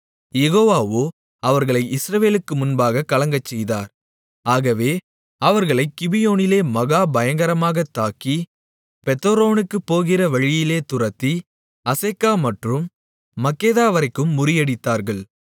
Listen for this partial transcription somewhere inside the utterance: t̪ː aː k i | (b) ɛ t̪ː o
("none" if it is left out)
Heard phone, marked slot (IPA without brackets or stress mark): p